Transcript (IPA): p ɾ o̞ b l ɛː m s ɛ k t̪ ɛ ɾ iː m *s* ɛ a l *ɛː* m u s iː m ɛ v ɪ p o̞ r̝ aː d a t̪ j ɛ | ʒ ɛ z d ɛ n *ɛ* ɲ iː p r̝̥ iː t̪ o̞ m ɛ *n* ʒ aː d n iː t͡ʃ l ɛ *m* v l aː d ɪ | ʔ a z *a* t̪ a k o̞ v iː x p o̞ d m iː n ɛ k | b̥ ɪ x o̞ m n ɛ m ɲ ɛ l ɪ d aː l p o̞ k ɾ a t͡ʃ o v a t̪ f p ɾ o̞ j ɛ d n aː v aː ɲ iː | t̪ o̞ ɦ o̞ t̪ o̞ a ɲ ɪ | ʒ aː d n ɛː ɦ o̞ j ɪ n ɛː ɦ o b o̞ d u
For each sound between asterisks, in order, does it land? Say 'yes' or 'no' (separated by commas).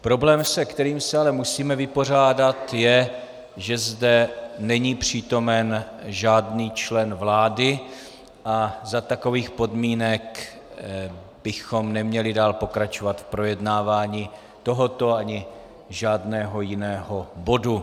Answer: yes, no, yes, yes, no, yes